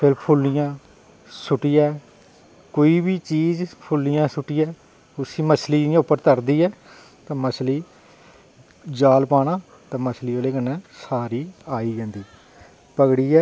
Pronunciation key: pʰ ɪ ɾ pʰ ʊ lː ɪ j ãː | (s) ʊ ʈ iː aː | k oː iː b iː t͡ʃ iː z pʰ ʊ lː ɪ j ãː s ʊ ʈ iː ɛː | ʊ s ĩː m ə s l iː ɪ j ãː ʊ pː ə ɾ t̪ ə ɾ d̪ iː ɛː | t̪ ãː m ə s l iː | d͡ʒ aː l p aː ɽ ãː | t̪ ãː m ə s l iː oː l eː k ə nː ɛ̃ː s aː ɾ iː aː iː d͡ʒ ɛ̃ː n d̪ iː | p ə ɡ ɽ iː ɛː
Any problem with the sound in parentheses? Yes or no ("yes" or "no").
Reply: no